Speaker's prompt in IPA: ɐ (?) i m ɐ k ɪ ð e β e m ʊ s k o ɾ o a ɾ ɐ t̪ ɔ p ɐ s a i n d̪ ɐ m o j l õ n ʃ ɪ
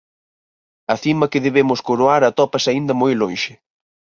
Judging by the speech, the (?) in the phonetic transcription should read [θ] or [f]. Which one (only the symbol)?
θ